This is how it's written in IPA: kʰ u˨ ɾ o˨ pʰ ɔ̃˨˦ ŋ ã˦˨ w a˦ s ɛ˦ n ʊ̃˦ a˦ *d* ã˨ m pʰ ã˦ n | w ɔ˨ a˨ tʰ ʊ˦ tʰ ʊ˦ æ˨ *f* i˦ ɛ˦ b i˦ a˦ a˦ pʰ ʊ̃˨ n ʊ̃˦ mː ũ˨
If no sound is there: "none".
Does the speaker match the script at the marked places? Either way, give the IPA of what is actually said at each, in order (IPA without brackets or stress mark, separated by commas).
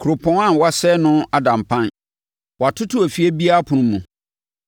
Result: d, f